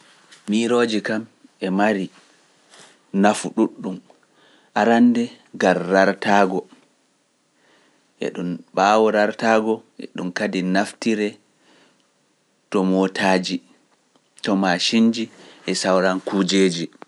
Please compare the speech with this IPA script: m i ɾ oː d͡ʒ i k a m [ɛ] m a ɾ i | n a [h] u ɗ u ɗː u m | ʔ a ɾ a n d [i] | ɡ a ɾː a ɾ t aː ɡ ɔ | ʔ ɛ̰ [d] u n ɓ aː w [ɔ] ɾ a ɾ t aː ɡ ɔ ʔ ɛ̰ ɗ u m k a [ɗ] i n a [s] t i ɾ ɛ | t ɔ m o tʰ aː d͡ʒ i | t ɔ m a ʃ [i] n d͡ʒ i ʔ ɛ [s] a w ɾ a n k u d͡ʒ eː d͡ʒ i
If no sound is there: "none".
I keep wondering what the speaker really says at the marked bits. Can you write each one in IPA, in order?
ɛ, f, ɛ, ɗ, ɔ, d, f, i, s

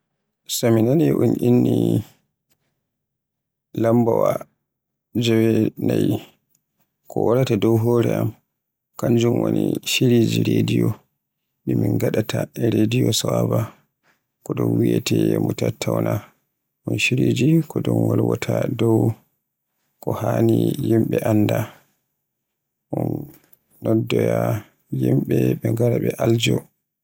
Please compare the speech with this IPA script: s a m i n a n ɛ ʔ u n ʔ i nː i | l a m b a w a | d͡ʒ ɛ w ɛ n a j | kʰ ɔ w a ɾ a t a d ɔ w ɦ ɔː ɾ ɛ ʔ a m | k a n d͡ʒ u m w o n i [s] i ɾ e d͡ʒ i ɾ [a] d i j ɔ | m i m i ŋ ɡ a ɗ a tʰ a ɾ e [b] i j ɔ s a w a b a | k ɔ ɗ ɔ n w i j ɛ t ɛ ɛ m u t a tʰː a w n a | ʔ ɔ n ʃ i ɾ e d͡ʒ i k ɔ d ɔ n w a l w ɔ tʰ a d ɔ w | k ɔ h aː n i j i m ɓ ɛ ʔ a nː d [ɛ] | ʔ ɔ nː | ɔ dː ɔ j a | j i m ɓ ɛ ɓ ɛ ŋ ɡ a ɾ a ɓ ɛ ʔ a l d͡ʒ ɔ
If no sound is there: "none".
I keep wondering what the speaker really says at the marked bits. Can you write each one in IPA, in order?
ʃ, e, d, a

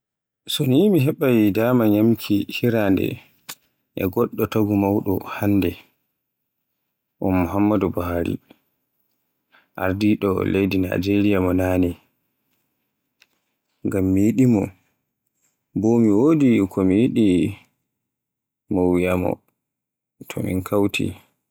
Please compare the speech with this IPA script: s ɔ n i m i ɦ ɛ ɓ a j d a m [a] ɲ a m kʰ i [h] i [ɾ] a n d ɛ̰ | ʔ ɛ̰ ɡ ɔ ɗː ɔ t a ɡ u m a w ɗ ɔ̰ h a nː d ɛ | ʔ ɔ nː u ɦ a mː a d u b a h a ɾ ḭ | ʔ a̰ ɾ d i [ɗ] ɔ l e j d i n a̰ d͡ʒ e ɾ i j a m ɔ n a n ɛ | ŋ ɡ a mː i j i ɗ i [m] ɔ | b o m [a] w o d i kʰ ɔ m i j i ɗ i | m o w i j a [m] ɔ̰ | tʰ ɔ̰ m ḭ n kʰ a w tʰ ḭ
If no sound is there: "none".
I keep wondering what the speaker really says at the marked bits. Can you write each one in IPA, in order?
a, h, ɾ, ɗ, m, i, m

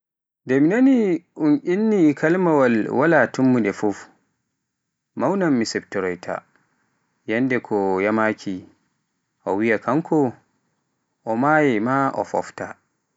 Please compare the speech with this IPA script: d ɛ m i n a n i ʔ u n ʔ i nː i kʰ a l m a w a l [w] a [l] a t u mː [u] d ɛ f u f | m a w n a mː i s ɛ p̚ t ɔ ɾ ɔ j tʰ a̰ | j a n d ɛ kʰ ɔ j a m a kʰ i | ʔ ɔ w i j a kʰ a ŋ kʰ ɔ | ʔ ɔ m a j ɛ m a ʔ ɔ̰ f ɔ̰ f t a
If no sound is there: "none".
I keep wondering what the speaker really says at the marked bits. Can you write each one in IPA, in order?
w, l, u

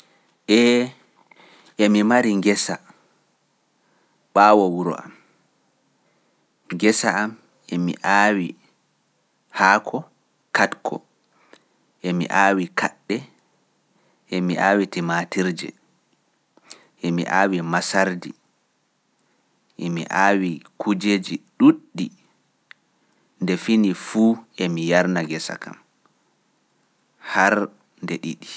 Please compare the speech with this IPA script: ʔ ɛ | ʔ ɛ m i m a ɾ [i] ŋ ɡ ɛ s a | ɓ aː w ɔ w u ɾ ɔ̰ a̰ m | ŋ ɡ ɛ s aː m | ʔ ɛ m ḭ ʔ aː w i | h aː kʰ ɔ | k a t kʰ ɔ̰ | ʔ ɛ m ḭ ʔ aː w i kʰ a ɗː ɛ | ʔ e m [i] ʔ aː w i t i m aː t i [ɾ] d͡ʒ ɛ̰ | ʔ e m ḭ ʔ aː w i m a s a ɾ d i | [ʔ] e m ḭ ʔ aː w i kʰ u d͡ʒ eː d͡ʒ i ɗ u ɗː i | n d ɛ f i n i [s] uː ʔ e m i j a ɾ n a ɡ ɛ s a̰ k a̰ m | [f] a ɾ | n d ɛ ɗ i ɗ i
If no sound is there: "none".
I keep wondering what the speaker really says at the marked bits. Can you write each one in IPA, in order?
i, i, ɾ, ʔ, f, h

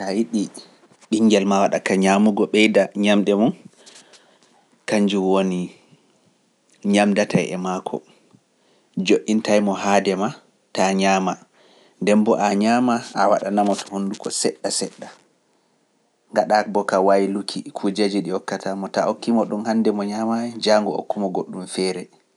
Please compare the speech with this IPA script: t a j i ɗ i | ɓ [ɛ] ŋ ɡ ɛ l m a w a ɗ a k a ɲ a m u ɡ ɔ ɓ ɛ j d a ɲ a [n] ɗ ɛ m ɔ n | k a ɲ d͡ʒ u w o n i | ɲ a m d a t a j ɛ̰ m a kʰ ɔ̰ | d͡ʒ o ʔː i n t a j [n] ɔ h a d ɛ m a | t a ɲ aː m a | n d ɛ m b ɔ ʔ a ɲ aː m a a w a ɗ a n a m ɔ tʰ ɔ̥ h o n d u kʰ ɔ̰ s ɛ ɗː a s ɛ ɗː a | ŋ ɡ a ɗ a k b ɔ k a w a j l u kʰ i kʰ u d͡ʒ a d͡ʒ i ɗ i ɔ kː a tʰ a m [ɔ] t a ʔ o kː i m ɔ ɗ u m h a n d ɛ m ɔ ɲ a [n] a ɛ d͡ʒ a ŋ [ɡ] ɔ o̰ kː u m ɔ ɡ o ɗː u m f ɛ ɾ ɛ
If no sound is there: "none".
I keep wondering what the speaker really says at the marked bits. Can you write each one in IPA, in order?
i, m, m, ɔ, m, ɡ

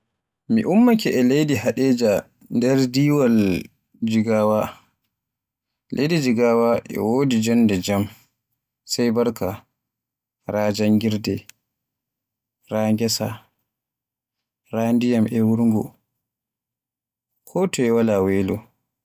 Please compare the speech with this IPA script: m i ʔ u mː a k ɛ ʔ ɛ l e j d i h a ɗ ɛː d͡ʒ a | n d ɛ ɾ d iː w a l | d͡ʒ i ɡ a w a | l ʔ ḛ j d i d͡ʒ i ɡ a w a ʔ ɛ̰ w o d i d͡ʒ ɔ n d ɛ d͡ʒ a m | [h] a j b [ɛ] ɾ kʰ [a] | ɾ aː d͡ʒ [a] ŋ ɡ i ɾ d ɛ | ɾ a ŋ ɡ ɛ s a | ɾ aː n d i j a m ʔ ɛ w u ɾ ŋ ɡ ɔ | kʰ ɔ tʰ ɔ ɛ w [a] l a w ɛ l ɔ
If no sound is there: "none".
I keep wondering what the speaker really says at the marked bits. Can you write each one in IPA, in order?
s, a, a, a, a

